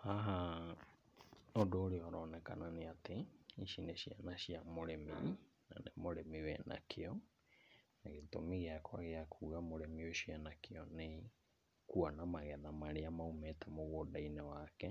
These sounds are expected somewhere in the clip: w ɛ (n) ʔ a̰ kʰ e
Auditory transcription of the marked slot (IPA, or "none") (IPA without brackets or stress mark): n